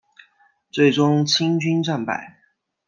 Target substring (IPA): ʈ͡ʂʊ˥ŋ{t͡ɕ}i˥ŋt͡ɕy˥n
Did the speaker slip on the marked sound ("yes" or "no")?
yes